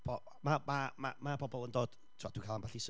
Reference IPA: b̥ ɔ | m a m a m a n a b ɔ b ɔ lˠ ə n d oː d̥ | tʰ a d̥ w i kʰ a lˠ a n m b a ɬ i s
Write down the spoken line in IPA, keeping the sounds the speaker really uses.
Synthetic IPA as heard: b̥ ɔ | m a m a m a m a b ɔ b ɔ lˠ ə n d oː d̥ | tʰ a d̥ w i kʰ a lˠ a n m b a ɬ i s